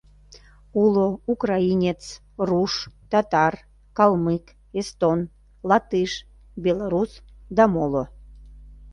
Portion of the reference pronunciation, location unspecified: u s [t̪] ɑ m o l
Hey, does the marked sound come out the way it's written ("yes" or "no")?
no